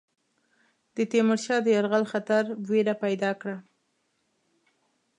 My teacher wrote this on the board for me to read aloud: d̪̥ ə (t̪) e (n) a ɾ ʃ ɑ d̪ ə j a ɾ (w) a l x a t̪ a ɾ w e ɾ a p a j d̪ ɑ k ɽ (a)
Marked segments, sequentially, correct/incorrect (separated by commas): correct, incorrect, incorrect, correct